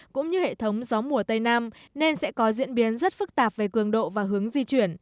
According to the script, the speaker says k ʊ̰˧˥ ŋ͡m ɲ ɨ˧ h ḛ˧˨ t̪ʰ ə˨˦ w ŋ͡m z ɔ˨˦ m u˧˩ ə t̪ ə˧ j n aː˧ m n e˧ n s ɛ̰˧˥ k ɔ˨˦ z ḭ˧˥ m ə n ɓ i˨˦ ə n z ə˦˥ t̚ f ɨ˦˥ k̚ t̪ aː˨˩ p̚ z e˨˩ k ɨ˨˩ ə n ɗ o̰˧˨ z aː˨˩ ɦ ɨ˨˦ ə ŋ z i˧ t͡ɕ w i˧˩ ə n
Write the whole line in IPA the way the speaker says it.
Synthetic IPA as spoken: k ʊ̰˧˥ ŋ͡m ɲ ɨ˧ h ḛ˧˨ t̪ʰ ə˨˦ w ŋ͡m z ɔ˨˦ m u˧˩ ə t̪ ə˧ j n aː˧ m n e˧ n s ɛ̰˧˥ k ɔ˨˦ z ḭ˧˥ ə n ɓ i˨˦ ə n z ə˦˥ t̚ f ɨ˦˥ k̚ t̪ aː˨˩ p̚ v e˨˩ k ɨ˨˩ ə ŋ ɗ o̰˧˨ v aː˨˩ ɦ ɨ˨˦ ə ŋ z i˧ t͡ɕ w i˧˩ ə n